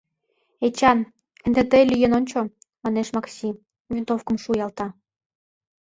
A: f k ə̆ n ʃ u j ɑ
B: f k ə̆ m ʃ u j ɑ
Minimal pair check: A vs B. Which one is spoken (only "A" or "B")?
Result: B